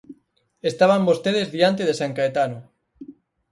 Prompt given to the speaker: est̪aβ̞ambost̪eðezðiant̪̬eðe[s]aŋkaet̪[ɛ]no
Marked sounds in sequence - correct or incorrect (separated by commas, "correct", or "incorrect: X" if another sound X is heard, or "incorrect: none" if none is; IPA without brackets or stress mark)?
correct, incorrect: a